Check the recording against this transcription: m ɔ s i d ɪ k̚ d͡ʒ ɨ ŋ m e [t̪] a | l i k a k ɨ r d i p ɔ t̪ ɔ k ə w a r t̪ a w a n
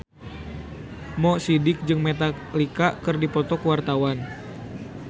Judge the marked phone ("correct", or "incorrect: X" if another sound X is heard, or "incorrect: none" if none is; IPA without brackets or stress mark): correct